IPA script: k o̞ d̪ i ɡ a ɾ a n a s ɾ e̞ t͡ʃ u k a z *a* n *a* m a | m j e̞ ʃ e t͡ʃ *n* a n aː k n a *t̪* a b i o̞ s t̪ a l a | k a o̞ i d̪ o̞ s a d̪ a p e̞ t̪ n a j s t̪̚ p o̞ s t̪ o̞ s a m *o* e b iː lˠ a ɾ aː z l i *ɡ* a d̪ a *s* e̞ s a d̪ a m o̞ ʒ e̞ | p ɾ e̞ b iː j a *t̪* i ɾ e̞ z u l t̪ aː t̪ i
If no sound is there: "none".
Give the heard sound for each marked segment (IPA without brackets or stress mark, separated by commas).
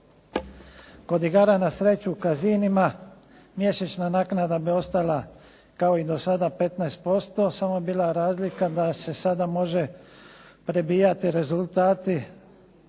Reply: i, i, n, d̪, o, k, s, t̪